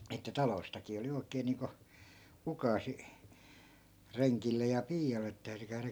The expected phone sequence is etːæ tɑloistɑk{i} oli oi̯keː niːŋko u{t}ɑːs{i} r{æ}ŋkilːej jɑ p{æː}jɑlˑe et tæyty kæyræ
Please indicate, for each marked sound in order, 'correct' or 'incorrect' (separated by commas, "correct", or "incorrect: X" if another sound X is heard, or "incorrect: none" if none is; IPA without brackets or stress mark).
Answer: incorrect: iː, incorrect: k, correct, incorrect: e, incorrect: iː